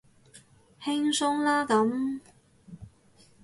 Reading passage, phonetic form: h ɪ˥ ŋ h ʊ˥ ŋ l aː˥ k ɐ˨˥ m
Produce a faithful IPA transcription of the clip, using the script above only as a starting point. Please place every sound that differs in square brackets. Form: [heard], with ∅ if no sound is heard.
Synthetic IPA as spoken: h ɪ˥ ŋ [s] ʊ˥ ŋ l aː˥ k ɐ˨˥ m